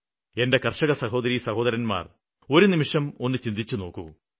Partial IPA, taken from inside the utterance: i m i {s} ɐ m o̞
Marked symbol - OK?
no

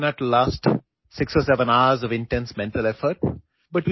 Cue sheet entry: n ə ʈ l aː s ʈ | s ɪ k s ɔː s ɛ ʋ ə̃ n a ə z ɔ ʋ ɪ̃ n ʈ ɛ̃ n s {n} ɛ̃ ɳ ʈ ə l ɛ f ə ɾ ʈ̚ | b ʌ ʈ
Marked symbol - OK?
no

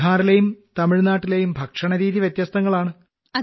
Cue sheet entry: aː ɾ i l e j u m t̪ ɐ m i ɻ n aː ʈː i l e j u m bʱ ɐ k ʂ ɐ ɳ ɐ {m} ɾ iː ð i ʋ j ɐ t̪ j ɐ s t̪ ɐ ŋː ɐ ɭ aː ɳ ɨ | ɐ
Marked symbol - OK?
no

